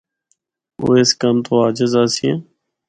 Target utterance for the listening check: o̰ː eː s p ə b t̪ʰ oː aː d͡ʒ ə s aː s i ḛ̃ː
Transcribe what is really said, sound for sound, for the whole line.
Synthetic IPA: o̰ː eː s k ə m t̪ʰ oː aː d͡ʒ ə z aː s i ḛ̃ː